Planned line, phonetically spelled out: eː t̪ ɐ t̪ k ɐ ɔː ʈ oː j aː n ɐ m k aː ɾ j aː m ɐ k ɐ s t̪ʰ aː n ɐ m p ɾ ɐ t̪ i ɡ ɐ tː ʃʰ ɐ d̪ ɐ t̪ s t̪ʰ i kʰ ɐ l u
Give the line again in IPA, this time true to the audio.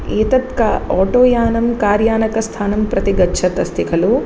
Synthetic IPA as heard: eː t̪ ɐ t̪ k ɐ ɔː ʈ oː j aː n ɐ m k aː ɾ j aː n ɐ k ɐ s t̪ʰ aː n ɐ m p ɾ ɐ t̪ i ɡ ɐ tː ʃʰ ɐ t̪ ɐ s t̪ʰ i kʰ ɐ l u